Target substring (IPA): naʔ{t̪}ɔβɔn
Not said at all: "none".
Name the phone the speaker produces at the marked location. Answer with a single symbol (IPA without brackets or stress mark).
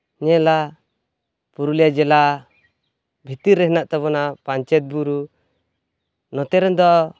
t̪